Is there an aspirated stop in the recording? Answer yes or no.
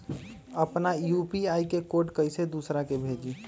no